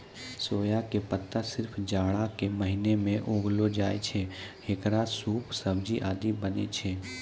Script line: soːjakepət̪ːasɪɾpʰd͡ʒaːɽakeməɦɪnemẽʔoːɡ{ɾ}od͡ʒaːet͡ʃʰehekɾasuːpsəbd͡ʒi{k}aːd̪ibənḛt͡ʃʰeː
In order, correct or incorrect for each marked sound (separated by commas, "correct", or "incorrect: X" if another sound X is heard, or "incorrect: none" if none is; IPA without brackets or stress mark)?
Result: incorrect: l, incorrect: ʔ